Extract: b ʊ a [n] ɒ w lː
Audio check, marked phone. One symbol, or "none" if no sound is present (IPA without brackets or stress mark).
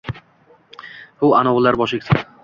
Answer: n